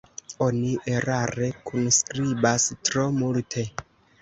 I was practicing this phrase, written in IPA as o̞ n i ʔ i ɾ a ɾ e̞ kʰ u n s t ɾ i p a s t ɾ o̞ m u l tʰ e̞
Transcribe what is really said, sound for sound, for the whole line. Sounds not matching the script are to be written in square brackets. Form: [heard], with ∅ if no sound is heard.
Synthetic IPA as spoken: o̞ n i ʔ [e] ɾ a ɾ e̞ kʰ u n s [k] ɾ i [b] a s t ɾ o̞ m u l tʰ e̞